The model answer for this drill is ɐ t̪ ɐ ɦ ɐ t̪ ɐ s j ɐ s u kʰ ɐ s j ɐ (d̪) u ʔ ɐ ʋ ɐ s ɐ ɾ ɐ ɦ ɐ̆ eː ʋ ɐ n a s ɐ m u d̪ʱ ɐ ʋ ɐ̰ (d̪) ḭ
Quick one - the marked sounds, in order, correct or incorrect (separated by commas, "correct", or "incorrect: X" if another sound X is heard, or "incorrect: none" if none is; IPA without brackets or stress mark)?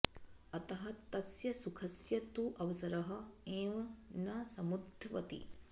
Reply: incorrect: t̪, incorrect: t̪